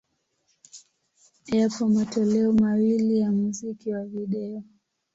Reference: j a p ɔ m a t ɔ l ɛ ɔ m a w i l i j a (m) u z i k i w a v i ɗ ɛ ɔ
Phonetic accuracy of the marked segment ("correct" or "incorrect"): correct